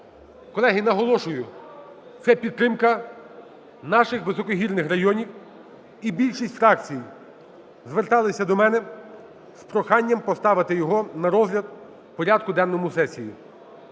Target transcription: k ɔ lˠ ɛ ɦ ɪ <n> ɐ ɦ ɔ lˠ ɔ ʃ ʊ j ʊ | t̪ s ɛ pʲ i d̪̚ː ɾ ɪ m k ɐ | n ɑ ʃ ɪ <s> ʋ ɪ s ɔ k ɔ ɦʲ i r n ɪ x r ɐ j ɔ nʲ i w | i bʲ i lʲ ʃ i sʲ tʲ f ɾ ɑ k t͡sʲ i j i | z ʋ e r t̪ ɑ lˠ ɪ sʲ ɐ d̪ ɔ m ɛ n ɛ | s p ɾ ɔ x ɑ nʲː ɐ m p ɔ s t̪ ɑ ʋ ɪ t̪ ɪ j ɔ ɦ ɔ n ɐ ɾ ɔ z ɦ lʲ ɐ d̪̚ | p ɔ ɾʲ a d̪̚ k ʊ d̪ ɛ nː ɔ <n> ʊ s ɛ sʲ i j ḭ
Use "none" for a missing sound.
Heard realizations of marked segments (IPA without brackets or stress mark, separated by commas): n, x, m